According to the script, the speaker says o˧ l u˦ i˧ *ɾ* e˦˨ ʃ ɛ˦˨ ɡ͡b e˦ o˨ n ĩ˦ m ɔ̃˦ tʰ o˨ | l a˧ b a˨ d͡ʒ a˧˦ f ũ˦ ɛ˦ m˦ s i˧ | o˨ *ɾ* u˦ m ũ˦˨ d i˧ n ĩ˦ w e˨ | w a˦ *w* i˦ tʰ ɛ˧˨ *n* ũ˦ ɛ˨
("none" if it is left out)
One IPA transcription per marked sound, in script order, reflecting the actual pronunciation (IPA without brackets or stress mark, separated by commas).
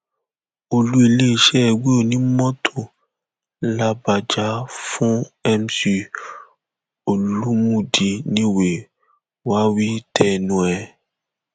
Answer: l, l, w, n